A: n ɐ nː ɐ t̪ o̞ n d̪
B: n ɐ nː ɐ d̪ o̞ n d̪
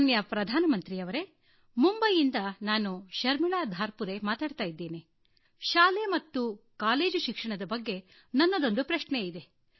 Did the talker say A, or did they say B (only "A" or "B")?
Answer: B